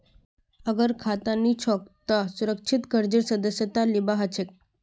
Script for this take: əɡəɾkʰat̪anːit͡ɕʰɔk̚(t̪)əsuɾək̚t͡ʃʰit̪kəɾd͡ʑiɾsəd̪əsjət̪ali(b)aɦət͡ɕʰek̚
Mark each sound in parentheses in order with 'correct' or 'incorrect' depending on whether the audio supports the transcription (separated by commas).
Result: correct, correct